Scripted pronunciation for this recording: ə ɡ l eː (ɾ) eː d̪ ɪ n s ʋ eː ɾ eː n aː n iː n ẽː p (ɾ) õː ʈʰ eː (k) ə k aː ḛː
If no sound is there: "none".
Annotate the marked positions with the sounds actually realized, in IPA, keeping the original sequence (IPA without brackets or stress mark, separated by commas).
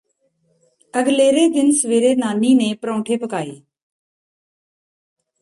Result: ɾ, ɾ, p